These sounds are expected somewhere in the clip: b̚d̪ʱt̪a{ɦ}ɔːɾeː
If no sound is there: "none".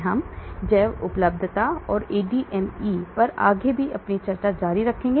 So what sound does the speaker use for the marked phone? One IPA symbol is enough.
none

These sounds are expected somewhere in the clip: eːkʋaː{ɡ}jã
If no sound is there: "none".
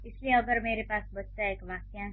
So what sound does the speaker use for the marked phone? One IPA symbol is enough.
k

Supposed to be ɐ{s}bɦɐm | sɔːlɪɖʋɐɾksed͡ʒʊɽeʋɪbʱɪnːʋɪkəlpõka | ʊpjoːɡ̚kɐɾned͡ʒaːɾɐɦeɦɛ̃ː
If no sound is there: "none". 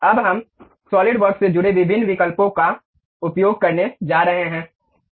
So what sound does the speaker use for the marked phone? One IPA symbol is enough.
none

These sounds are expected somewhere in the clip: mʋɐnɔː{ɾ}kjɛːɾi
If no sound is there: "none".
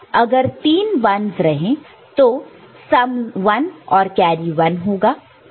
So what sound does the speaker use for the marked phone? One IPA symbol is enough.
ɾ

